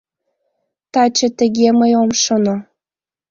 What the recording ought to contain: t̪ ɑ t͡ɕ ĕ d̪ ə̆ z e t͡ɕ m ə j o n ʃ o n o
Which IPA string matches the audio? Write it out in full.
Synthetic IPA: t̪ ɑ t͡ɕ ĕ t̪ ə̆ ɣ e m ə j o m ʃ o n o

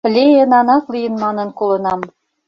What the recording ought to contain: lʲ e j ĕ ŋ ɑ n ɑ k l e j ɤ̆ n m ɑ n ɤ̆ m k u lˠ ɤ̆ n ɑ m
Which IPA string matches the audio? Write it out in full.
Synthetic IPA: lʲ e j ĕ n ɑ n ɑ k l i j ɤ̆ n m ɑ n ɤ̆ n k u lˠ ɤ̆ n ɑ m

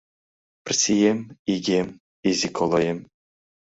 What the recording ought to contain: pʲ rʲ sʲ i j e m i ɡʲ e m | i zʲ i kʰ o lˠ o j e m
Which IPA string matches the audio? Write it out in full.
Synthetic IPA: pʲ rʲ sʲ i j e m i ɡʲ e m | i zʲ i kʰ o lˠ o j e m

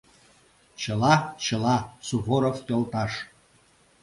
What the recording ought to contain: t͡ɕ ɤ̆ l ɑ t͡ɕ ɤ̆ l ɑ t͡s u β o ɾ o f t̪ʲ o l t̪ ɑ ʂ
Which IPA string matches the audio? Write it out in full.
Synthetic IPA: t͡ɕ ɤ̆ l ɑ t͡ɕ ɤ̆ l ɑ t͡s u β o ɾ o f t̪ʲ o l t̪ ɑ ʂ

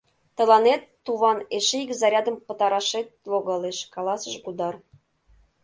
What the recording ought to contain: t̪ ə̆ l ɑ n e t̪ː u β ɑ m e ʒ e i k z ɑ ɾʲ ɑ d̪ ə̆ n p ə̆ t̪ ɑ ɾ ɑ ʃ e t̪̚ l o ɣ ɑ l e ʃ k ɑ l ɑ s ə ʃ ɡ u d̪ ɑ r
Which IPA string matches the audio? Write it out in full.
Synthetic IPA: t̪ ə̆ l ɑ n e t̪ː u β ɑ n e ʃ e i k z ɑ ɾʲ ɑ d̪ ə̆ m p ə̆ t̪ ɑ ɾ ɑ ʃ e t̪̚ l o ɣ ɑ l e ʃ k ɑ l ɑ s ə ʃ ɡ u d̪ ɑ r

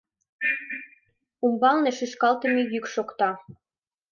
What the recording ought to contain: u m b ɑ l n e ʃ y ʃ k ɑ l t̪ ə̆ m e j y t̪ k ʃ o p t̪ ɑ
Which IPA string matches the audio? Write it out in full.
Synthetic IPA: u m b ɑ l n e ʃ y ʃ k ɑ l t̪ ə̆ m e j y k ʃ o k t̪ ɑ

